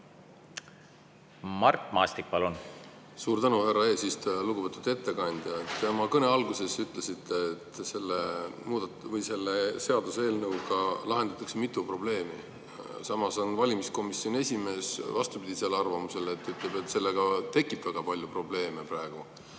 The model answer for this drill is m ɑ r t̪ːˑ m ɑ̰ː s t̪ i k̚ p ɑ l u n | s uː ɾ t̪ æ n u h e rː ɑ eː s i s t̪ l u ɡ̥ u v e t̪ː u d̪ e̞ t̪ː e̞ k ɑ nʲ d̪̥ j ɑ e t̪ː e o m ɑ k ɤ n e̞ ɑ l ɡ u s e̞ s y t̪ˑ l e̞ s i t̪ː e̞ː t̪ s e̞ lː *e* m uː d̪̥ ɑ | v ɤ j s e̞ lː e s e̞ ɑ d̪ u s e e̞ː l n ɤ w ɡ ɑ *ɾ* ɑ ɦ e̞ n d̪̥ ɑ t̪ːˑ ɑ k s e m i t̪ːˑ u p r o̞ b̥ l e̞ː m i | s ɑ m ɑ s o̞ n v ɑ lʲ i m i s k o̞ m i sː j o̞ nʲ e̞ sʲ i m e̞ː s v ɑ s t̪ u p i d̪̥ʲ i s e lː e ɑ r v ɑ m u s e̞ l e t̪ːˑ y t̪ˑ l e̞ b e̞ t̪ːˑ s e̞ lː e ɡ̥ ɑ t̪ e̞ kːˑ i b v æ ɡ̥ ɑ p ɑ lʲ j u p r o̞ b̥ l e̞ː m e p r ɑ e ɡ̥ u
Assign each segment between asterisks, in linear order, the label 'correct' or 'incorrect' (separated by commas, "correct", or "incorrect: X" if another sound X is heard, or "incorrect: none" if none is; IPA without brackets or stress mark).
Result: correct, incorrect: l